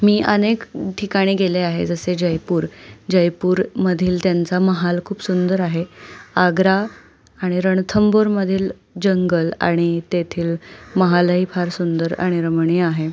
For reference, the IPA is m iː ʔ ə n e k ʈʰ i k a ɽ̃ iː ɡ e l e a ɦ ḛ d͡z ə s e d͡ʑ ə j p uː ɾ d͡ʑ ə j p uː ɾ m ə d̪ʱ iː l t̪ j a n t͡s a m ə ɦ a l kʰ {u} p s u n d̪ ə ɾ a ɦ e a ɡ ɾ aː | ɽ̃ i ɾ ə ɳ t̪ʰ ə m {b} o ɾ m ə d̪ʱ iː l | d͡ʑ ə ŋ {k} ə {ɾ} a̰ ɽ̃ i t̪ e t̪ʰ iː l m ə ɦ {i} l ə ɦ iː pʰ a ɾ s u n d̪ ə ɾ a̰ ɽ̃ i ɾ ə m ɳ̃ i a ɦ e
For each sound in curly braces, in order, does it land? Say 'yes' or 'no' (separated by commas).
no, yes, no, no, no